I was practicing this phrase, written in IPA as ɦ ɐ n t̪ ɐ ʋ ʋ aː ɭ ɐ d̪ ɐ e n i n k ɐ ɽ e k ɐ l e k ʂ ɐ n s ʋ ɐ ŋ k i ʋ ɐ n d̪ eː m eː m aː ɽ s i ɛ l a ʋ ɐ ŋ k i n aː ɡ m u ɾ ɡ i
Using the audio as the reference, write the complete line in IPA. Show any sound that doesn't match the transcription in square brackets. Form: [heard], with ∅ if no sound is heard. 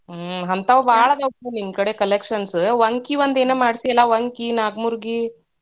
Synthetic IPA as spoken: ɦ ɐ n t̪ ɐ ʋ ʋ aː ɭ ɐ d̪ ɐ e n i n k ɐ ɽ e k ɐ l e k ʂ ɐ n s ʋ ɐ ŋ k i ʋ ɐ n d̪ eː [n] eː m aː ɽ s i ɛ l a ʋ ɐ ŋ k i n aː ɡ m u ɾ ɡ i